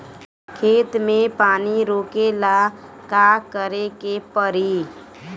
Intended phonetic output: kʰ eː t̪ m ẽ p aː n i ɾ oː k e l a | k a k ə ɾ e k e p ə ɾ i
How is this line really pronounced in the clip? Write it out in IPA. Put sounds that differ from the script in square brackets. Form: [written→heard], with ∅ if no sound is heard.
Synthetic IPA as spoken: kʰ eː t̪ m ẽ p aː n i ɾ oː k e l a | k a k ə ɾ e k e p ə ɾ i

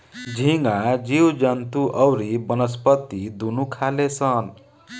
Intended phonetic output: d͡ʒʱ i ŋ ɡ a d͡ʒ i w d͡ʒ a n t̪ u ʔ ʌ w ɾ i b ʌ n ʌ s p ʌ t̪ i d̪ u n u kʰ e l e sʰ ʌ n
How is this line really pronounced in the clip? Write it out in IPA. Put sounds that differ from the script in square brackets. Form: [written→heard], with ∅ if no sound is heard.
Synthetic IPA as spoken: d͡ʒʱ i ŋ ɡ a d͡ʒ i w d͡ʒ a n t̪ u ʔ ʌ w ɾ i b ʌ n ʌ s p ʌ t̪ i d̪ u n u kʰ [e→a] l e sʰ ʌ n

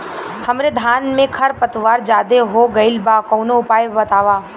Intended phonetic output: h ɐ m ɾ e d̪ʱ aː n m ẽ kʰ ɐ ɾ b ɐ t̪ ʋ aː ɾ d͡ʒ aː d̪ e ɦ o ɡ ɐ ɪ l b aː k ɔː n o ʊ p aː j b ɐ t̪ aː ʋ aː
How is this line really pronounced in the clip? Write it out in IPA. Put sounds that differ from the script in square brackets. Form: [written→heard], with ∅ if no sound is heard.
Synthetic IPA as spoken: h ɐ m ɾ e d̪ʱ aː n m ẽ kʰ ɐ ɾ [b→p] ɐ t̪ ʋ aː ɾ d͡ʒ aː d̪ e ɦ o ɡ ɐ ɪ l b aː k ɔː n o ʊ p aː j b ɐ t̪ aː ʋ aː

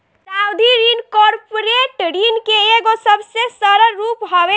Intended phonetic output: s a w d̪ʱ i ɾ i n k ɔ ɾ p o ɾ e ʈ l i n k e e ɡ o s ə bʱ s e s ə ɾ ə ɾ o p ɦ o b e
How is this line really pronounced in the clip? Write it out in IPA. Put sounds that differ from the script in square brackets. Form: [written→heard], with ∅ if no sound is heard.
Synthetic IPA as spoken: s a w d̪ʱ i ɾ i n k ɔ ɾ p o ɾ e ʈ [l→ɾ] i n k e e ɡ o s ə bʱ s e s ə ɾ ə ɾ [o→u] p ɦ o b e

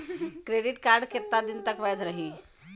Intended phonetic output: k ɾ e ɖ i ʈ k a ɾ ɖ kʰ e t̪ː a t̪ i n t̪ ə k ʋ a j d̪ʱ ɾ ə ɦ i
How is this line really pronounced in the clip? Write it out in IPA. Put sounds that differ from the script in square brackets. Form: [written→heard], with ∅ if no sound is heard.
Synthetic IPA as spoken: k ɾ e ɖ i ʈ k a ɾ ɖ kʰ e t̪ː a [t̪→d̪] i n t̪ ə k ʋ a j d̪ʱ ɾ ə ɦ i

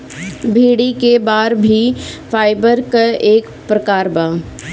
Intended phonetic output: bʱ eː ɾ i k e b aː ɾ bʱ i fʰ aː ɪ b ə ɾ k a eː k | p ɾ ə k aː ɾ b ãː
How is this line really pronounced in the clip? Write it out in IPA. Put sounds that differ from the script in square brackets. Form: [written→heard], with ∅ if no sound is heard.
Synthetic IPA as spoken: bʱ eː [ɾ→ɽ] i k e b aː ɾ bʱ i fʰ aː ɪ b ə ɾ k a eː k | p ɾ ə k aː ɾ b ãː

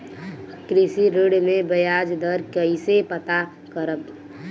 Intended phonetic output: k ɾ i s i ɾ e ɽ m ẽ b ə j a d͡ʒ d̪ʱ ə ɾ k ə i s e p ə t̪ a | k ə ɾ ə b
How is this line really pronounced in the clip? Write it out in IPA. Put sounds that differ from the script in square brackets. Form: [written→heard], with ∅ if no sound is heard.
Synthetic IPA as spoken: k ɾ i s i ɾ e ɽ m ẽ b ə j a d͡ʒ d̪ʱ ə ɾ k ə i s e p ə t̪ a | k ə ɾ ə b

